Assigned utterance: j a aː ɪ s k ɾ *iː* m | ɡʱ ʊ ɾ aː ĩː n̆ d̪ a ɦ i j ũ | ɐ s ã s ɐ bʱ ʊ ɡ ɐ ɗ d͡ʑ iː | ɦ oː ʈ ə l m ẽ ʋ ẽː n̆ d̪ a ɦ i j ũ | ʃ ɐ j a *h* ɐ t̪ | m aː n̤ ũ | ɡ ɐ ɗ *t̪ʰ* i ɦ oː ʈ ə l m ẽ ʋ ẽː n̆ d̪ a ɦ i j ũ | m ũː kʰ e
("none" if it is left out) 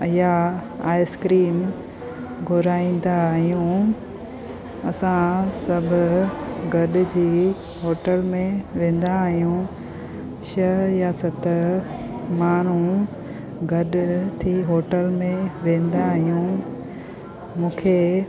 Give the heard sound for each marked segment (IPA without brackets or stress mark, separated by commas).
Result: iː, s, t̪ʰ